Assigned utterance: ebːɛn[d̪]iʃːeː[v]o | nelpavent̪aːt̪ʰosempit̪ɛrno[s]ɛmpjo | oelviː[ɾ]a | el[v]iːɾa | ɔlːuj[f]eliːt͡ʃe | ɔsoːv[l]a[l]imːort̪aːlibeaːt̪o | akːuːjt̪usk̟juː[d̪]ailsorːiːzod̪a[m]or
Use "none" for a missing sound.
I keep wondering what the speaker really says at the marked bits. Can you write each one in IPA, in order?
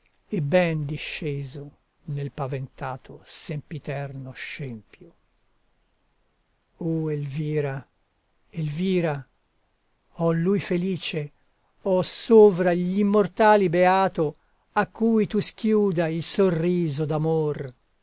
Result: d̪, z, ʃ, ɾ, v, f, ɾ, ʎ, d̪, m

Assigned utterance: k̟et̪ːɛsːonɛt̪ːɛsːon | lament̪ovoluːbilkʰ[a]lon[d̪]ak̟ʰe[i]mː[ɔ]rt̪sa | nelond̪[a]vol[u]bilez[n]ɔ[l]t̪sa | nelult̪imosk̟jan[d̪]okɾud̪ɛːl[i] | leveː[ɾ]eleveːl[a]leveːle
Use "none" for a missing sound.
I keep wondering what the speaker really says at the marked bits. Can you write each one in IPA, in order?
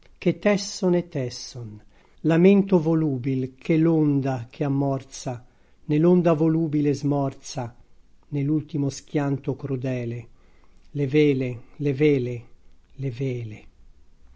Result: e, d̪, a, ɔ, a, uː, m, r, t̪, e, l, e

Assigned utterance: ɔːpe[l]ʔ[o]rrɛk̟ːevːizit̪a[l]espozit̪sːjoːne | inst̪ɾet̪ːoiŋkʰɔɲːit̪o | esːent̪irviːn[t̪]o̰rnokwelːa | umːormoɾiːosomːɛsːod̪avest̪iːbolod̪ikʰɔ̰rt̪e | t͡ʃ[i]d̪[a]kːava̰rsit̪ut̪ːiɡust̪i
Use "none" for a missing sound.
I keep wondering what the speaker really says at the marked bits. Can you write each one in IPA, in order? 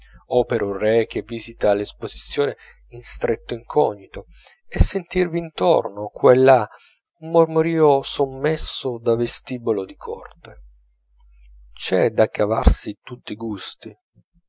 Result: ɾ, u, l, t̪, ɛ, a

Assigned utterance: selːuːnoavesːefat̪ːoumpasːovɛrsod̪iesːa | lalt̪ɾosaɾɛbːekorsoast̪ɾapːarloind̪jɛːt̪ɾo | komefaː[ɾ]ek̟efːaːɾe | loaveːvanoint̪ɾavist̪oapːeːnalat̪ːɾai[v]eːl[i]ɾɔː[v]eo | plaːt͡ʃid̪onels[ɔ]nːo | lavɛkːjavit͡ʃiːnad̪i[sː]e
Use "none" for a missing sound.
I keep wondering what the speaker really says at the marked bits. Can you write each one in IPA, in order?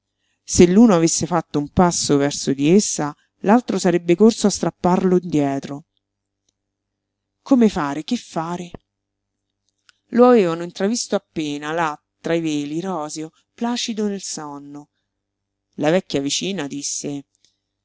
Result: ɾ, v, i, z, ɔ, sː

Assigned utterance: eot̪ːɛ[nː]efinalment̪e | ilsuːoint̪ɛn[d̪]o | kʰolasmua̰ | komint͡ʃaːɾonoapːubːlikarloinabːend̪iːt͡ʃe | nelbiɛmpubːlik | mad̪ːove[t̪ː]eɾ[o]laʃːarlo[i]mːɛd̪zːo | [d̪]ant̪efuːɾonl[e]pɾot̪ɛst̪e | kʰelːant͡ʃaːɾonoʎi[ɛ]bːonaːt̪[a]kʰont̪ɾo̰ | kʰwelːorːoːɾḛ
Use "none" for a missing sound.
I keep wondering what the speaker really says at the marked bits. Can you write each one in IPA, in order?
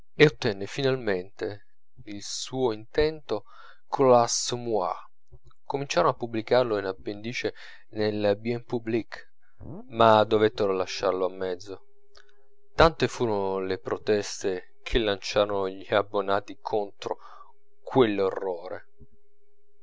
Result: nː, t̪, t̪ː, o, a, t̪, e, a, i

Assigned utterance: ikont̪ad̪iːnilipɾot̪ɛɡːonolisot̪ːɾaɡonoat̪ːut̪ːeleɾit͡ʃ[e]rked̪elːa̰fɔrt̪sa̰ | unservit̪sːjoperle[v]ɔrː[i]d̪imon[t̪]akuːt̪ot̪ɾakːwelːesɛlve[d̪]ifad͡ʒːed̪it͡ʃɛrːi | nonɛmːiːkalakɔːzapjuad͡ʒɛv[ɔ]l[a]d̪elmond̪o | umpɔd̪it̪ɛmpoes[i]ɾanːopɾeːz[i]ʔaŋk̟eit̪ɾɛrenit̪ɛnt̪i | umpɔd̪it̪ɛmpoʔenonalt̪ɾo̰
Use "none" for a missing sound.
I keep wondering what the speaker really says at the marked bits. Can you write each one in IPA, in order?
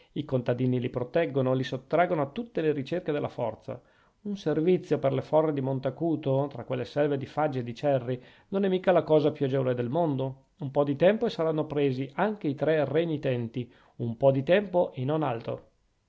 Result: e, f, e, t̪, d̪, o, e, a, i

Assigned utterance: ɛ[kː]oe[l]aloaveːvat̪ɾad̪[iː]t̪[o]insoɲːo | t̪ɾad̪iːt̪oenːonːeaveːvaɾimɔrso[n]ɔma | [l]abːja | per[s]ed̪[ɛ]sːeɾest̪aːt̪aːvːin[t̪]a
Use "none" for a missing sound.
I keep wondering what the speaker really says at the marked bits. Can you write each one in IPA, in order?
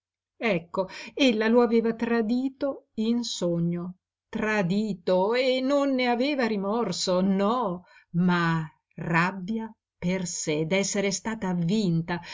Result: kː, lː, iː, o, n, r, s, ɛ, t̪

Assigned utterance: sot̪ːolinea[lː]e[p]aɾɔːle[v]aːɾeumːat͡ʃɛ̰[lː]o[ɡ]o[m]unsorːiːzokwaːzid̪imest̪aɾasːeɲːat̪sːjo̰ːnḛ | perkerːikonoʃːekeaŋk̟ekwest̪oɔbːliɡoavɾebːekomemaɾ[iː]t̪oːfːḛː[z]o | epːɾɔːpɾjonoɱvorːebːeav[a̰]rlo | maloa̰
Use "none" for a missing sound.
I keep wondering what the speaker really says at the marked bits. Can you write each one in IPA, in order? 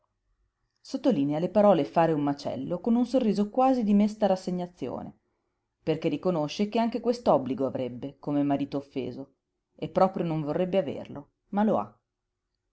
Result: l, p, f, lː, k, n, iː, z, ḛ

